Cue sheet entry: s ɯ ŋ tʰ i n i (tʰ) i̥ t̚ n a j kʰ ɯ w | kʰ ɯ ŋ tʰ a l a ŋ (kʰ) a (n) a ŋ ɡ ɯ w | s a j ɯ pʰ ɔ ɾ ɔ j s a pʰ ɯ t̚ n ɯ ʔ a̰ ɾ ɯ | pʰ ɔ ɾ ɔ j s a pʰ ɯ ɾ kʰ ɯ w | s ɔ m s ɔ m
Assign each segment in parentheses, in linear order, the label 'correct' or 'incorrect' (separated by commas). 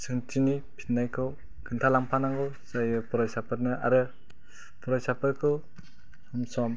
incorrect, incorrect, correct